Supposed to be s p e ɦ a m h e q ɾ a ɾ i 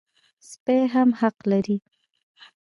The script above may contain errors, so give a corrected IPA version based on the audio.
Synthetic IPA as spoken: s p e ɦ a m h a q l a ɾ i